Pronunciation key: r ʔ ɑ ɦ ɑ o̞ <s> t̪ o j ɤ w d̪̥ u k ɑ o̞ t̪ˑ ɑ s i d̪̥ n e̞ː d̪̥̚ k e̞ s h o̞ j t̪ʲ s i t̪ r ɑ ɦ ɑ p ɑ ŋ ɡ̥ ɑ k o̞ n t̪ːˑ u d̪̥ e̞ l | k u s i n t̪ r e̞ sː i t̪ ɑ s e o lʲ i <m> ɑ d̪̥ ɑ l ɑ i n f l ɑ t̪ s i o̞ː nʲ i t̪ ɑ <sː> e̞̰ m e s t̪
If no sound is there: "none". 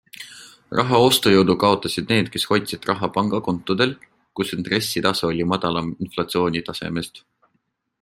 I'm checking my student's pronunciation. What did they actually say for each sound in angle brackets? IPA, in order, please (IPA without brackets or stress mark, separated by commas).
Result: s, m, s